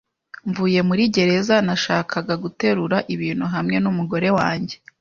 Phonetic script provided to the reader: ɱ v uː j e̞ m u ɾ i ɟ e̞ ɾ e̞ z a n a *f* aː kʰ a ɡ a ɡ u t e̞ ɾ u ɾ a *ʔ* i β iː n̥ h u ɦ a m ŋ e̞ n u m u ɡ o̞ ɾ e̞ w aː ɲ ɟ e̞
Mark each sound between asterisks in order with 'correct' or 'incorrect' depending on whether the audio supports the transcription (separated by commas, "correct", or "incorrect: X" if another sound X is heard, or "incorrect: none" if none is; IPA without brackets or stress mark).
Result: incorrect: ʃ, correct